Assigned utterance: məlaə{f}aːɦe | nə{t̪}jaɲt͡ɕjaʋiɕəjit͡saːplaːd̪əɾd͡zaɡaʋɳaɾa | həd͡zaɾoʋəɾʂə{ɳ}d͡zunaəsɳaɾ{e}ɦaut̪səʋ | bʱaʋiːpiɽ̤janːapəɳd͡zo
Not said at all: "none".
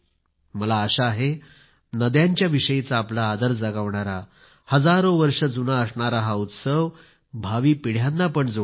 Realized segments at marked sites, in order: ɕ, d̪, none, a

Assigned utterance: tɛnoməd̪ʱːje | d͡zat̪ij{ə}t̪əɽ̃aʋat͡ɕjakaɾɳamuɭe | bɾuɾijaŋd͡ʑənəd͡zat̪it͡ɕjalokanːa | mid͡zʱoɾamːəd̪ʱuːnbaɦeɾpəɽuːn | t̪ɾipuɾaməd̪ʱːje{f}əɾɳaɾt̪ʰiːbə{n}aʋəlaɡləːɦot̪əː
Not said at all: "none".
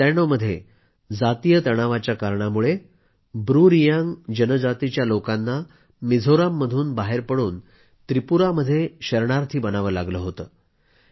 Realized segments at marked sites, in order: ə, ɕ, n

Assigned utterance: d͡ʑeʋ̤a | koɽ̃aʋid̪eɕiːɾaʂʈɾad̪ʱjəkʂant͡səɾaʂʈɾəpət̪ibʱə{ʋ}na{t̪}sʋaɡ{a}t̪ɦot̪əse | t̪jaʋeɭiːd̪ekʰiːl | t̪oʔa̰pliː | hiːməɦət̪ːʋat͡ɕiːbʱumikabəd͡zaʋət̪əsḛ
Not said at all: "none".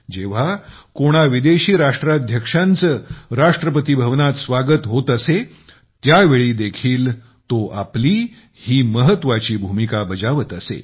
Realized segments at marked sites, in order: ʋ, t̪, ə

